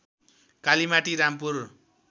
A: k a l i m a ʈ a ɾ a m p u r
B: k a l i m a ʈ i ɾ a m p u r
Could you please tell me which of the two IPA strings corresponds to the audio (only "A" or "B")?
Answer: B